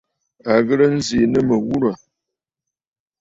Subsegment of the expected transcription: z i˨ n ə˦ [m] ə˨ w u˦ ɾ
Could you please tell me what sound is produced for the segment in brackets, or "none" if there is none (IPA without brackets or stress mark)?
m